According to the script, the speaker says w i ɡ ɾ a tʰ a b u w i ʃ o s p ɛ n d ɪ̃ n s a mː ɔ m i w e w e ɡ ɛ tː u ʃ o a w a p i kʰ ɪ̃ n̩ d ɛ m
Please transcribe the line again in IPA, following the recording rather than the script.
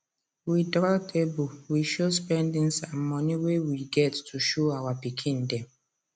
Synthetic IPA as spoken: w i d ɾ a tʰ e b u w i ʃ o s p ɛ n d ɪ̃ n s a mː ɔ n i w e w i ɡ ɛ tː u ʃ o a w a p i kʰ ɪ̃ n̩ d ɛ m